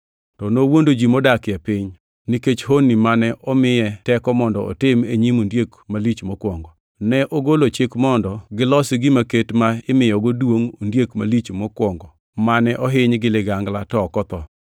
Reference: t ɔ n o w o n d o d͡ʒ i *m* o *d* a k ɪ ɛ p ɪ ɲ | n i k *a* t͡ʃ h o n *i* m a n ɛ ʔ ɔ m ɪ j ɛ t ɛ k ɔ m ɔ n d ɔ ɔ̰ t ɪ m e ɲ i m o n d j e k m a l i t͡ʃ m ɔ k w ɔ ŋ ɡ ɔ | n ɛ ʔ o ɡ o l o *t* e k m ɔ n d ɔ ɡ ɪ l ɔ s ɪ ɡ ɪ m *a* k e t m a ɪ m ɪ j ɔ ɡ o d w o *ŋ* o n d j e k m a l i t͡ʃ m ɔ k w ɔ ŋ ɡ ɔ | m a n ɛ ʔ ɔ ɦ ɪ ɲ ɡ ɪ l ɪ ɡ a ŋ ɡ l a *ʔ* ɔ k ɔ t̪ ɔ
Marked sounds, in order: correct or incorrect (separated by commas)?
correct, correct, incorrect, correct, incorrect, correct, correct, incorrect